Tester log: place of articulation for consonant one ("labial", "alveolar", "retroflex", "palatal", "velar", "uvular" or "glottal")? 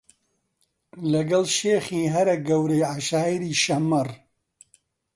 alveolar